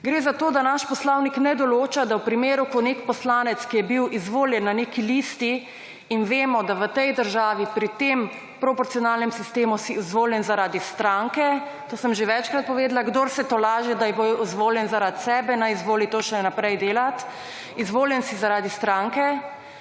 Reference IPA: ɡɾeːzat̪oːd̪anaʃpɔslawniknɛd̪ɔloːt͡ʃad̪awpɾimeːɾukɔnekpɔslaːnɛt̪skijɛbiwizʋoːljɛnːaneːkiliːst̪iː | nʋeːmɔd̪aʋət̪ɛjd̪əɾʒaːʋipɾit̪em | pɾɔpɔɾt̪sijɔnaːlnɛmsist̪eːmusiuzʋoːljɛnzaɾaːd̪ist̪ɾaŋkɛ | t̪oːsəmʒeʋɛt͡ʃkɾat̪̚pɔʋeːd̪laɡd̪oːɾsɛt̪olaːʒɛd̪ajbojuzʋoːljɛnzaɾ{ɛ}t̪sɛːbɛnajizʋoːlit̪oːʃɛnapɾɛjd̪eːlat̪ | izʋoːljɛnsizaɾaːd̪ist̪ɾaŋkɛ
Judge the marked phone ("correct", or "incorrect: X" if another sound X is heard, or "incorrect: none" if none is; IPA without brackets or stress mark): incorrect: a